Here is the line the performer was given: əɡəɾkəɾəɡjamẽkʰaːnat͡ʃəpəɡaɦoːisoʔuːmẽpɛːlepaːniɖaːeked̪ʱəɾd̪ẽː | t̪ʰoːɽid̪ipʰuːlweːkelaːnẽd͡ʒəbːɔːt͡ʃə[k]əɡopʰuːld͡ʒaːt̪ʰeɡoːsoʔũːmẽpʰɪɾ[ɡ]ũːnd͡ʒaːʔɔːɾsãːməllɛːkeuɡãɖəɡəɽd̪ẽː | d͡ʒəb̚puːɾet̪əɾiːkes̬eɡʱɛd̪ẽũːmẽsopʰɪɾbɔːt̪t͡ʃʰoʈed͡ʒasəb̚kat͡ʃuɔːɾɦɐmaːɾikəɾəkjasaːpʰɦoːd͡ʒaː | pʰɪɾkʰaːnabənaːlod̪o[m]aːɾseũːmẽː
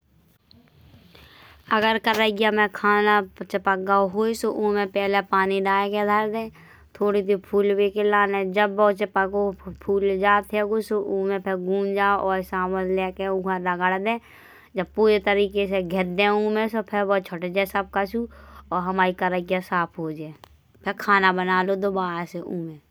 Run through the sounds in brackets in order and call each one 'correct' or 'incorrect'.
incorrect: p, correct, incorrect: b

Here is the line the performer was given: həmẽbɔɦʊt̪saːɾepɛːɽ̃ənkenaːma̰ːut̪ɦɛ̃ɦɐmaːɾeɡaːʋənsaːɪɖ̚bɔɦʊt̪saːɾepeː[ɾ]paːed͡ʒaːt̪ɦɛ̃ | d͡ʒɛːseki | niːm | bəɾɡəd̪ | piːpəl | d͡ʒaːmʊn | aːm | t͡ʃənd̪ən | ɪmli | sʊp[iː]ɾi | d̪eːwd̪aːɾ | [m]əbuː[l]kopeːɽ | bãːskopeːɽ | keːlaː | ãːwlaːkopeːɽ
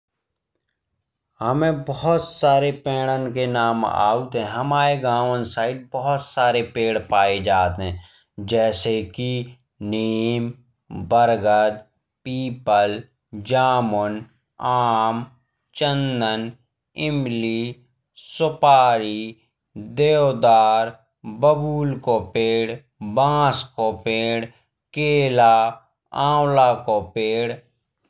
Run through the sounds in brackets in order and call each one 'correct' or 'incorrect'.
incorrect: ɽ, incorrect: aː, incorrect: b, correct

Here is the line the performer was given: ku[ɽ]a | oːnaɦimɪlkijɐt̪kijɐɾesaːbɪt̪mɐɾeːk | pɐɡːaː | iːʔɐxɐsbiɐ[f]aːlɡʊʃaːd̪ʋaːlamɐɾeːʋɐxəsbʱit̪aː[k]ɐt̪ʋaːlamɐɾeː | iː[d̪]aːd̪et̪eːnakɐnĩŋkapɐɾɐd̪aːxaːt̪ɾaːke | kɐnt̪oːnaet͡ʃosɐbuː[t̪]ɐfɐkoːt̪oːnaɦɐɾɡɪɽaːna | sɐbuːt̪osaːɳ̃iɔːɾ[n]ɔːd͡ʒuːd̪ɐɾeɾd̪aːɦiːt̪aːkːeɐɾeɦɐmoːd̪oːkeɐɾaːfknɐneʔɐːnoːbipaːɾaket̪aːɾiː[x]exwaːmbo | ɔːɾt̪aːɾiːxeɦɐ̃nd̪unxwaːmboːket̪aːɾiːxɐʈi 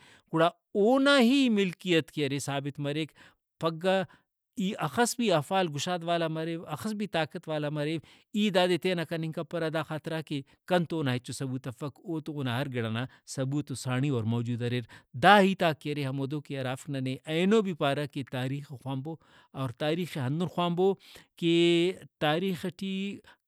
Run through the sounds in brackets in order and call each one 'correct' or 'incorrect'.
correct, correct, correct, correct, correct, incorrect: m, correct

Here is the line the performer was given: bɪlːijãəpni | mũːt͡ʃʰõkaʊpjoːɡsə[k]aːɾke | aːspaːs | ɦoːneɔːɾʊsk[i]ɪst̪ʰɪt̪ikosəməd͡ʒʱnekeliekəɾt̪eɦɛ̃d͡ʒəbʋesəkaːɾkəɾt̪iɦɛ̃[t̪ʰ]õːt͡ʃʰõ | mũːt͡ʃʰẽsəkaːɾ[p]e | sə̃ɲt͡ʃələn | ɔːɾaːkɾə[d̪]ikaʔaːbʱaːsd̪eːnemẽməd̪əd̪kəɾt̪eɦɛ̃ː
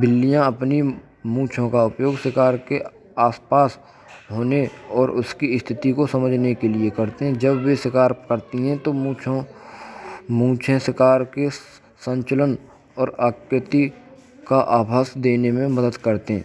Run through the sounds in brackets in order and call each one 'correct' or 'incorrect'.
correct, correct, incorrect: t̪, incorrect: k, incorrect: t̪

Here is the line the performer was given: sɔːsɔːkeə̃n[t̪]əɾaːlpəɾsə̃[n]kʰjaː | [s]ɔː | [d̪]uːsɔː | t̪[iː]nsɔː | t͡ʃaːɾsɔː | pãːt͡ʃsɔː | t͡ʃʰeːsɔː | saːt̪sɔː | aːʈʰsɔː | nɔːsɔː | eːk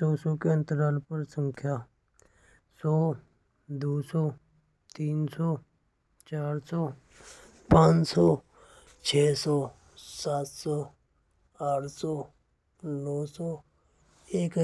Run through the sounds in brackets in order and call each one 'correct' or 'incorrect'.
correct, incorrect: ŋ, correct, correct, correct

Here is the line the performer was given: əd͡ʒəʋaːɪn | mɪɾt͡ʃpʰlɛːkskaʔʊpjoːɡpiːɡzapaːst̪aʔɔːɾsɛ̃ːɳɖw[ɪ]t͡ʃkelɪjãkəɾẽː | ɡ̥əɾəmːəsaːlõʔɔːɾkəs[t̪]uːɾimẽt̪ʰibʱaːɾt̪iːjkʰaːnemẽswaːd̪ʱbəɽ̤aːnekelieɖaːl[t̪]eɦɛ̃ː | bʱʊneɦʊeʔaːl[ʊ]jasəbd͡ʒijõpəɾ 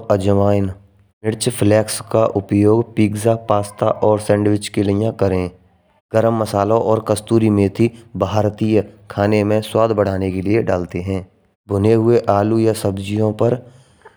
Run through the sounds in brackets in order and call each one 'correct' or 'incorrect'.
correct, correct, correct, incorrect: u

